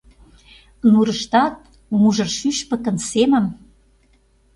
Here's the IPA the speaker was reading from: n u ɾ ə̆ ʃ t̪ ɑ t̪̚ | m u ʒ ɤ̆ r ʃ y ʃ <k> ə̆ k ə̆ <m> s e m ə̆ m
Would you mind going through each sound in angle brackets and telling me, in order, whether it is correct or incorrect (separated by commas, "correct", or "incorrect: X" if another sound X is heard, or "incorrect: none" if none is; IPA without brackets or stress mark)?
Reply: incorrect: p, incorrect: n